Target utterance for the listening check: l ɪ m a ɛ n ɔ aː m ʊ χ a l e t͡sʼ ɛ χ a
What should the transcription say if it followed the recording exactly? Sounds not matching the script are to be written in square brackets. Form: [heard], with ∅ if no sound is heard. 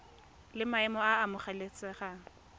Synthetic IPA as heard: l ɪ m a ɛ [m] ɔ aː m ʊ χ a l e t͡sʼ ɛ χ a